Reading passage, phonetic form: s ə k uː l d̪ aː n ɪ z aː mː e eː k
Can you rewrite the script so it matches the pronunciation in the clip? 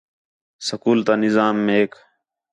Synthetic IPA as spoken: s ə k uː l t̪ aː n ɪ z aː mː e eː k